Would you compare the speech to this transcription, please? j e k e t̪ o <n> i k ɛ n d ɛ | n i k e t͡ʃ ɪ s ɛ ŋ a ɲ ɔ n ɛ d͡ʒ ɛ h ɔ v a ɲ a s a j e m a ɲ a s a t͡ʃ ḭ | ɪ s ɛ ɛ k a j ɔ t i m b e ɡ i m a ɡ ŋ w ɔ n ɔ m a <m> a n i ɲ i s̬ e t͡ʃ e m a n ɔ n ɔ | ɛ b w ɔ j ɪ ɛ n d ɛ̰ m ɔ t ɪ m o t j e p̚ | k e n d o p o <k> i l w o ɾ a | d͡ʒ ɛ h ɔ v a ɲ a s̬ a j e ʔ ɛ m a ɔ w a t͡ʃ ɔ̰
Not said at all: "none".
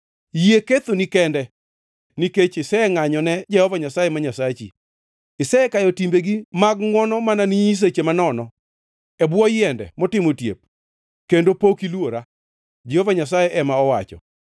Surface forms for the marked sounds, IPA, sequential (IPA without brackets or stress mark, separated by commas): n, n, k